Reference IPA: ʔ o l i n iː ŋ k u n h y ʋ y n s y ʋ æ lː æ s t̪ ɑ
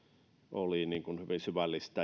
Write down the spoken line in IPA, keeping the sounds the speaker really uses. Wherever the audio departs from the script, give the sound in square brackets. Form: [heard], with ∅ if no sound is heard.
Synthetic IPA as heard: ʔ o l i n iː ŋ k u n h y ʋ [i] n s y ʋ æ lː [i] s t̪ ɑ

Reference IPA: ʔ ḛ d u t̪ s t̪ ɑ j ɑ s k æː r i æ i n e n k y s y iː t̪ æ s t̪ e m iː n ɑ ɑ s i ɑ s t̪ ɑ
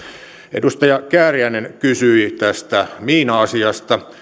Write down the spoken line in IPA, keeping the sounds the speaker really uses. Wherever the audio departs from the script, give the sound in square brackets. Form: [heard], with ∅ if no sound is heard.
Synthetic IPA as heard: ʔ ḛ d u [∅] s t̪ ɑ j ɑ [∅] k æː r i æ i n e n k y s y [i] t̪ æ s t̪ [æ] m iː n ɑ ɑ s i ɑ s t̪ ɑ

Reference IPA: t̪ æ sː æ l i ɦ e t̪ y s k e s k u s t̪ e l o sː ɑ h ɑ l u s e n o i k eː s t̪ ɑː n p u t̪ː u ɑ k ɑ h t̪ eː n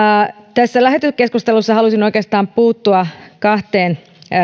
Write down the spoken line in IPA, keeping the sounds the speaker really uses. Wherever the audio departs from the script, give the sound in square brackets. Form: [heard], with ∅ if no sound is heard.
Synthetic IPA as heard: t̪ æ sː æ l [æ] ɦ e t̪ y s k e s k u s t̪ e l [u] sː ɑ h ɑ l u s [i] n o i k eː s t̪ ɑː [m] p [uː] t̪ː u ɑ k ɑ h t̪ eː n

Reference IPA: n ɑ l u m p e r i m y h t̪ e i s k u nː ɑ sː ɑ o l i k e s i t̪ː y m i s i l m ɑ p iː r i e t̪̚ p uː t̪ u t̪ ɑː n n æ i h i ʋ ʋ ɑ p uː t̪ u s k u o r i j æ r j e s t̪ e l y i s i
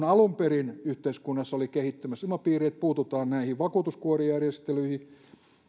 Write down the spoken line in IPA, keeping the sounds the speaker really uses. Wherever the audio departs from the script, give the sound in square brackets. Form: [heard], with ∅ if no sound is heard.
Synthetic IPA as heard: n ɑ l u m p e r i [n] y h t̪ e i s k u nː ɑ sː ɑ o l i k e [h] i t̪ː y m [æ] s i l m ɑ p iː r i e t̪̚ p uː t̪ u t̪ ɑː n n æ i h i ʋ ʋ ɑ [k] uː t̪ u s k u o r i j æ r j e s t̪ e l y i [h] i

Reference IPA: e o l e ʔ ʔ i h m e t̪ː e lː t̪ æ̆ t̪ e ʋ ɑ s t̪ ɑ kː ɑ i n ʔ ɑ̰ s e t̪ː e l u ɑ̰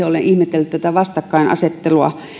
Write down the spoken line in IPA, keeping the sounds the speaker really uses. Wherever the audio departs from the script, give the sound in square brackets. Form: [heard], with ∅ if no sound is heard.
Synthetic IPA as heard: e o l e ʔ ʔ i h m e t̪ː e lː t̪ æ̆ t̪ [æ] ʋ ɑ s t̪ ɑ kː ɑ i n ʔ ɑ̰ s e t̪ː e l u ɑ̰

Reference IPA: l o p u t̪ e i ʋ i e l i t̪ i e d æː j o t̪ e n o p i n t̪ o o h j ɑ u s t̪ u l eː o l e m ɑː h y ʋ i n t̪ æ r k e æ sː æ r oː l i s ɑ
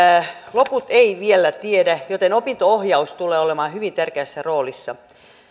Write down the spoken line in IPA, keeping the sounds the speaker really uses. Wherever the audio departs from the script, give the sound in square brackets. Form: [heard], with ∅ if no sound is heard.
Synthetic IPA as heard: l o p u t̪ e i ʋ i e l [æ] t̪ i e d [æ] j o t̪ e n o p i n t̪ o o h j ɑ u s t̪ u l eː o l e m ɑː h y ʋ i n t̪ æ r k e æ sː æ r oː l i [sː] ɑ

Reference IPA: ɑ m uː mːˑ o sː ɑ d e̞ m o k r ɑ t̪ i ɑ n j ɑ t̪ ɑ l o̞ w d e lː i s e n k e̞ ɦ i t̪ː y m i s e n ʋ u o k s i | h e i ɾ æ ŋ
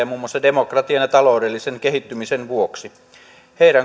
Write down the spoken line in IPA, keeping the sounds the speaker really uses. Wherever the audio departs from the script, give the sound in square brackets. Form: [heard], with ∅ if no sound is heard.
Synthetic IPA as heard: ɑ m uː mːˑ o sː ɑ d e̞ m o k r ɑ t̪ i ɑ n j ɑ t̪ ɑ l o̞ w d e lː i s e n k e̞ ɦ i t̪ː y m i s e n ʋ u o k s i | h e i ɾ æ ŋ

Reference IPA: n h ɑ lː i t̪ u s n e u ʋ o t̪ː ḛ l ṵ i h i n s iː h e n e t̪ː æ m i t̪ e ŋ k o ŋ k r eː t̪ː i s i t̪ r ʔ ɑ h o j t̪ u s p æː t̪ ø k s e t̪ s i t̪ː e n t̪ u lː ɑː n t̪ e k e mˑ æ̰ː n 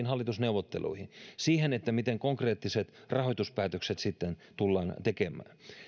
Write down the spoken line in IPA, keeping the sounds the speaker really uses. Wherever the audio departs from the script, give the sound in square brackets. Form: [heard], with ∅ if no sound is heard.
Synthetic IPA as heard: n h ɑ lː i t̪ u s n e u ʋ o t̪ː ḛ l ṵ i h i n s iː h e n e t̪ː æ m i t̪ e ŋ k o ŋ k r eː t̪ː i s [e] t̪ r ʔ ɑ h o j t̪ u s p æː t̪ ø k s e t̪ s i t̪ː e n t̪ u lː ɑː n t̪ e k e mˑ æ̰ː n

